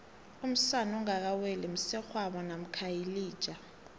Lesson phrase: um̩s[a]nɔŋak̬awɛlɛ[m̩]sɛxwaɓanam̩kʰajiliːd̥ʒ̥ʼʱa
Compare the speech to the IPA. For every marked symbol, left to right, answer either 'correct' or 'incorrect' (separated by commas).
correct, correct